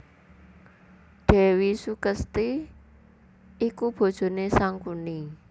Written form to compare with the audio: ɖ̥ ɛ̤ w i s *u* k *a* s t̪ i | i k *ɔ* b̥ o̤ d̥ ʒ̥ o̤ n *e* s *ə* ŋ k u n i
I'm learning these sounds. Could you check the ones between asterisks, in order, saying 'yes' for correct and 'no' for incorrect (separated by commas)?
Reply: yes, no, no, yes, no